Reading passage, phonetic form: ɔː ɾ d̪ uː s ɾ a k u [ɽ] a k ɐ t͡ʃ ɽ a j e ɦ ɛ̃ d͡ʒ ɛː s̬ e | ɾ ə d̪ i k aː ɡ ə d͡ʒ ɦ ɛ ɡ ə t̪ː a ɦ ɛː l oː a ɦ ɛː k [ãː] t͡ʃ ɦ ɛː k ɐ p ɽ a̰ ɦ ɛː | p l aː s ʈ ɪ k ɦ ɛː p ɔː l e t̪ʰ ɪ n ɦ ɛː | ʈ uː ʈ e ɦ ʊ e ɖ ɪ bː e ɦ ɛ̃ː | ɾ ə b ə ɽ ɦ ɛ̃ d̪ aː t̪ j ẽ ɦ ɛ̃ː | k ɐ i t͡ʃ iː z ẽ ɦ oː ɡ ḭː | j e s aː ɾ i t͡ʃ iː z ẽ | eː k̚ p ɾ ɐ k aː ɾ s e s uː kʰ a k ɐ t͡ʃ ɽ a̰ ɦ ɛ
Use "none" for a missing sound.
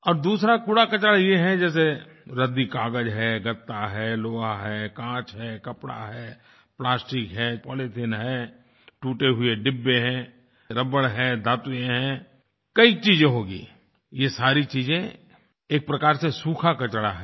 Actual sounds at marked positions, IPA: ɽ, ãː

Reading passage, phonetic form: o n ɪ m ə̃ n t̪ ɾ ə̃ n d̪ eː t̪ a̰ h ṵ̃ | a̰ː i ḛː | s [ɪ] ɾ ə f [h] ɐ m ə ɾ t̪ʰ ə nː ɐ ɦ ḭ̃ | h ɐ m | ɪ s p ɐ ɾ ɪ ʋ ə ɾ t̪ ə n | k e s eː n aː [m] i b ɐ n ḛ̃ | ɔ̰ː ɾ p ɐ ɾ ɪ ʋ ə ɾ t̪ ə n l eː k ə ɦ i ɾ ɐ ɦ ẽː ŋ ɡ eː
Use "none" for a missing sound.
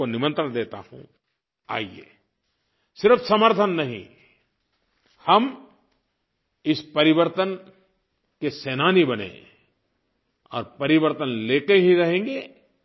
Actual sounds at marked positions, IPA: ɪ, s, n

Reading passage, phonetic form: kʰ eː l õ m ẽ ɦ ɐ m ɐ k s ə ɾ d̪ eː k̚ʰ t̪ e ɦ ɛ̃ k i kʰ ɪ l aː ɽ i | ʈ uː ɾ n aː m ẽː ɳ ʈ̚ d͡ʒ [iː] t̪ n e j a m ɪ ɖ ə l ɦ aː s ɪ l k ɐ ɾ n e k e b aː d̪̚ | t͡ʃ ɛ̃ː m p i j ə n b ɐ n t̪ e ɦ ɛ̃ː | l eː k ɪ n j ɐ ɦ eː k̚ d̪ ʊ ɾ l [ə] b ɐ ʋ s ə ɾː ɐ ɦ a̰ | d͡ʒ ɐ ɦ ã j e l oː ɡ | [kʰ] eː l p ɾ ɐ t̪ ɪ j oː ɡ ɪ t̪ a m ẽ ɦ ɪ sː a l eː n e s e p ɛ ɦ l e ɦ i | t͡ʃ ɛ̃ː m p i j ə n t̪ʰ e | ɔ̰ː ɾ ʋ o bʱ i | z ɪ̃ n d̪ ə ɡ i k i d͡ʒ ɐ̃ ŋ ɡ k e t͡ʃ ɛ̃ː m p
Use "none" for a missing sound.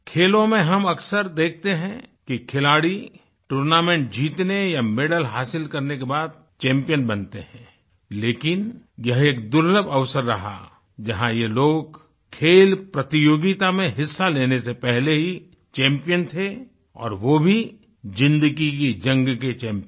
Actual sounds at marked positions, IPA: iː, ə, kʰ

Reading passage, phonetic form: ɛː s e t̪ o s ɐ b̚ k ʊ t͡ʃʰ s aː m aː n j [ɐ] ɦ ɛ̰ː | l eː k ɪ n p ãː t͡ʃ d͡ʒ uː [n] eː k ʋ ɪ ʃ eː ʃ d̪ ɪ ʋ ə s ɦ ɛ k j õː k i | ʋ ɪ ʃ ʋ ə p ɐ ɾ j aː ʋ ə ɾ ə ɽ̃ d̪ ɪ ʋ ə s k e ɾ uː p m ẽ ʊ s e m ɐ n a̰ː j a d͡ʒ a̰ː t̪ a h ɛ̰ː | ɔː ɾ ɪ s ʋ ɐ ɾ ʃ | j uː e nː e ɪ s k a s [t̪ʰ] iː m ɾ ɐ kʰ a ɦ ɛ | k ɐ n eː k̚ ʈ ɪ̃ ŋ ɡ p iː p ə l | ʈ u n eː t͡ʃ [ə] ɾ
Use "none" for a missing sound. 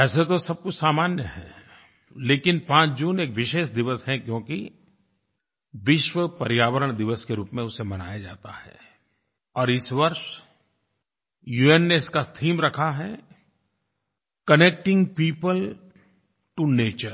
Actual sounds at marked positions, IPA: ə, n, t̪ʰ, ə

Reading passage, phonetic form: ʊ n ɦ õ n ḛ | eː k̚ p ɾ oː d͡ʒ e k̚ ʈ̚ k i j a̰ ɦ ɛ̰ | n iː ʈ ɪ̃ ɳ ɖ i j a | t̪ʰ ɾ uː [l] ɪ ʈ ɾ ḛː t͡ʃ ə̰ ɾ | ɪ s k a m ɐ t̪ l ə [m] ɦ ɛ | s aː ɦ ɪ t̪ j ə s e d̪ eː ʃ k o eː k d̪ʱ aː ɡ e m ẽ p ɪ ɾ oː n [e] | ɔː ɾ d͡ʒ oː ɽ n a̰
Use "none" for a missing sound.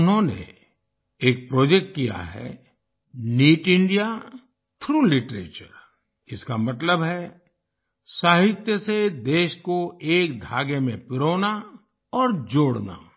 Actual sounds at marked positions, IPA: l, b, a

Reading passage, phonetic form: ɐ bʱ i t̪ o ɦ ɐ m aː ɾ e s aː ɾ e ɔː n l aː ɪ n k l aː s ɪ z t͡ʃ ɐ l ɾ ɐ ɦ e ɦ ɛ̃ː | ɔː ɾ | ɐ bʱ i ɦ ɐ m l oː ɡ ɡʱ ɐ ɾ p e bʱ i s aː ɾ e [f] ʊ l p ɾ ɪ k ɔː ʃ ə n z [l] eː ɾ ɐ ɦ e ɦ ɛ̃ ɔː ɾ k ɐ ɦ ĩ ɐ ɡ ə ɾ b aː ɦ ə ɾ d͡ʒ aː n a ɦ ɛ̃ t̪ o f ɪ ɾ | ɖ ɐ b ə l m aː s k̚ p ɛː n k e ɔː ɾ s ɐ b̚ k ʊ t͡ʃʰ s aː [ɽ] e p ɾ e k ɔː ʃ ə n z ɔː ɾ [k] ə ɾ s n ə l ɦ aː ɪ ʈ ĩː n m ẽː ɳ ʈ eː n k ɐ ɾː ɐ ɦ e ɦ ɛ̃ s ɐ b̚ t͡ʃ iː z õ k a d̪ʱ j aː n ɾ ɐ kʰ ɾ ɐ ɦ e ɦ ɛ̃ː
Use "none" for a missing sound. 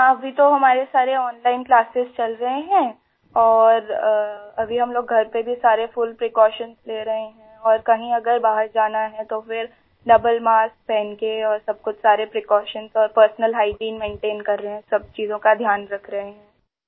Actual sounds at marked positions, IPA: f, l, ɾ, p

